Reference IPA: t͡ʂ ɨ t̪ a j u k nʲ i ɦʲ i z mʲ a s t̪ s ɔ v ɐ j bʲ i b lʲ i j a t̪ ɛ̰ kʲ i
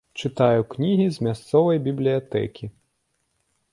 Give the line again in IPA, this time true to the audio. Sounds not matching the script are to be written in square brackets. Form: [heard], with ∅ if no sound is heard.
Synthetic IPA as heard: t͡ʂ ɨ t̪ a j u k nʲ i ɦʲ i z mʲ a s t̪ s ɔ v ɐ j bʲ i b lʲ i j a t̪ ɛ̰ kʲ i

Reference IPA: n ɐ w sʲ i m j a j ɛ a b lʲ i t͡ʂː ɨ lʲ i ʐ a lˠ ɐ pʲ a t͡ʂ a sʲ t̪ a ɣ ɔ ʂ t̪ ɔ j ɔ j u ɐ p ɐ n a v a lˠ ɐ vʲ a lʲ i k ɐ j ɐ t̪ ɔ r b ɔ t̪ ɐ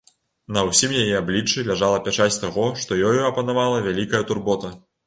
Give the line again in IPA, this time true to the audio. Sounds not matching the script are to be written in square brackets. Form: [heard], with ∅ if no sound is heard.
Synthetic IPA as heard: n ɐ w sʲ i m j a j ɛ a b lʲ i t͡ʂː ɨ lʲ [a] ʐ a lˠ ɐ pʲ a t͡ʂ a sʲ t̪ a ɣ ɔ ʂ t̪ ɔ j ɔ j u ɐ p ɐ n a v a lˠ ɐ vʲ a lʲ i k ɐ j ɐ t̪ [u] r b ɔ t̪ ɐ

